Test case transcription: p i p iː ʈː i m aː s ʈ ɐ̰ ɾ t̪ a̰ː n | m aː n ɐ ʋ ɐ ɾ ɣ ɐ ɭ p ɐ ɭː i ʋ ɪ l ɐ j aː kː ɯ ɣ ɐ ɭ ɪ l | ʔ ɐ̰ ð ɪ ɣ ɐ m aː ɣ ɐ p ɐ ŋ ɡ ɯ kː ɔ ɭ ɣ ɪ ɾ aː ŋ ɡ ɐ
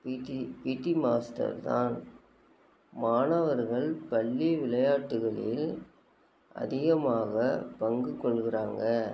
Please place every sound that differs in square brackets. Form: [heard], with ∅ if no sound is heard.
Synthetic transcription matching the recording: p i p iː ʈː i m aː s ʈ ɐ̰ ɾ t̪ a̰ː n | m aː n ɐ ʋ ɐ ɾ ɣ ɐ ɭ p ɐ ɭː i ʋ ɪ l ɐ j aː [ʈː] ɯ ɣ ɐ ɭ ɪ l | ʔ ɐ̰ ð ɪ ɣ ɐ m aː ɣ ɐ p ɐ ŋ ɡ ɯ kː ɔ ɭ ɣ ɪ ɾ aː ŋ ɡ ɐ